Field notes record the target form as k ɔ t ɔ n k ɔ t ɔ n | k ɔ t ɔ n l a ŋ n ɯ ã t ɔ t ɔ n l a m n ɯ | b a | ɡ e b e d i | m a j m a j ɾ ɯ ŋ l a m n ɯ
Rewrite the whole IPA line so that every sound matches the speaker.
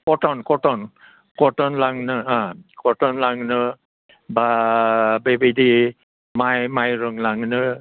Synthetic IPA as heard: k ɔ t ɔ n k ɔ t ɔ n | k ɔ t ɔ n l a ŋ n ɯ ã k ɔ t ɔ n l a ŋ n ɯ | b a | b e b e d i | m a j m a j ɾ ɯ ŋ l a ŋ n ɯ